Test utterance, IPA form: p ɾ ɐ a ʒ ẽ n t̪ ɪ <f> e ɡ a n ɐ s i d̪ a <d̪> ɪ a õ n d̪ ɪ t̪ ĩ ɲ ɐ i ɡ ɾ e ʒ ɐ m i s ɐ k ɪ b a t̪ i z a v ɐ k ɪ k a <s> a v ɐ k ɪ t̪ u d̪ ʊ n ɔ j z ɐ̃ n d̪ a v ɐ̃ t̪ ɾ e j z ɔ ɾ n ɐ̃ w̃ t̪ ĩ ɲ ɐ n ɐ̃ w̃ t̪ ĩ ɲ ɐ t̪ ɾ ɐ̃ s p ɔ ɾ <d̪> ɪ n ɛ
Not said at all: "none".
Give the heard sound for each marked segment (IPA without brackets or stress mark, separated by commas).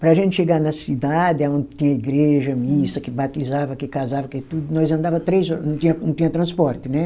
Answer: ʃ, d̪, z, t̪